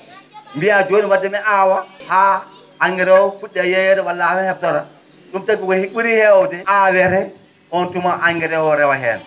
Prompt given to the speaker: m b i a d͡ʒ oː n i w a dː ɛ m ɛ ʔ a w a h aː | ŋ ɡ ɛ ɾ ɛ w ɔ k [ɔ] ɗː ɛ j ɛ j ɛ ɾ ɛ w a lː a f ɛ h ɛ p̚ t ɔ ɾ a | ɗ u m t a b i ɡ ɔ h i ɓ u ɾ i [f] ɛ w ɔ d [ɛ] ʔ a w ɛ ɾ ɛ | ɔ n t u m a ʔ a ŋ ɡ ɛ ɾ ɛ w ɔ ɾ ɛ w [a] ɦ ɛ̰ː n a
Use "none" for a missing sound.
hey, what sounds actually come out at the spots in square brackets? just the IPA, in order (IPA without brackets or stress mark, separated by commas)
u, h, ɛ, a